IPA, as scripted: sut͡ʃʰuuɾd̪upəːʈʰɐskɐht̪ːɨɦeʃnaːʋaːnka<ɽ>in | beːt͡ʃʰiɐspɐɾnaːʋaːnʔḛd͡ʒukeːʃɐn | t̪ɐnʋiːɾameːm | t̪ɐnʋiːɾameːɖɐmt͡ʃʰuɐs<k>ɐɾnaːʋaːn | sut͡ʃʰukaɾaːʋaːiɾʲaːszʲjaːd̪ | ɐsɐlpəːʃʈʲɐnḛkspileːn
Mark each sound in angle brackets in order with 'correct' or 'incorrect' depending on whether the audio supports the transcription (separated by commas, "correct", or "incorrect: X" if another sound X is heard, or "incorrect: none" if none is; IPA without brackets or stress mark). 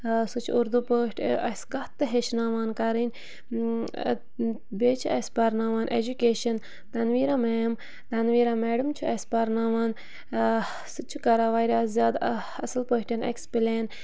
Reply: incorrect: ɾ, incorrect: p